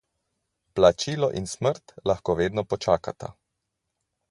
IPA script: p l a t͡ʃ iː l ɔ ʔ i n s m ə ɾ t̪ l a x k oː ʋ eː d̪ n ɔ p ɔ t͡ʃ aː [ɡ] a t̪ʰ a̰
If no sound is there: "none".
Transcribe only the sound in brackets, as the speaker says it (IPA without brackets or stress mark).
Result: k